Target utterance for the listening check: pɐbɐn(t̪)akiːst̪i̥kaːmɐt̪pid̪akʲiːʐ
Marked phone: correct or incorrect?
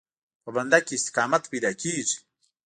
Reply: incorrect